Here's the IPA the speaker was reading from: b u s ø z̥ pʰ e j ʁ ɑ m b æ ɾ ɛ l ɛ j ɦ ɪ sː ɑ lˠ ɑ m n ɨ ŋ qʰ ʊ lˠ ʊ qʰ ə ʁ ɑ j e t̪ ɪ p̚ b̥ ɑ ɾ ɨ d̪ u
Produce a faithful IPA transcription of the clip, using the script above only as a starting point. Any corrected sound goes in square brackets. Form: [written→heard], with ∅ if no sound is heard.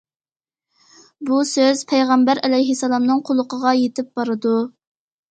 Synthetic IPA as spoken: b u s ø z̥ pʰ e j ʁ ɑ m b æ ɾ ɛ l ɛ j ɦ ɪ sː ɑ lˠ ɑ m n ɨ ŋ qʰ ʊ lˠ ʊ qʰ ə ʁ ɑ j e t̪ ɪ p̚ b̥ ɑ ɾ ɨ d̪ u